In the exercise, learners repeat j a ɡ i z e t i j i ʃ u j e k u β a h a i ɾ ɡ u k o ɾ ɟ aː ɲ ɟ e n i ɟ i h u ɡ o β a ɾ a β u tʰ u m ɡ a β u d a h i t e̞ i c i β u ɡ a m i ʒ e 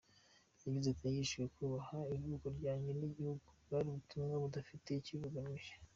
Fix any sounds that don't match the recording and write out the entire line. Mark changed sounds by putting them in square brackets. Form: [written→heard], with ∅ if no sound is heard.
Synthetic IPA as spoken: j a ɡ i z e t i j i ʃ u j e k u β a h a i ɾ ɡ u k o ɾ ɟ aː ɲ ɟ e n i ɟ i h u ɡ [o→u] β a ɾ [a→i] β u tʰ u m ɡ a β u d a [h→f] i t e̞ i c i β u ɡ a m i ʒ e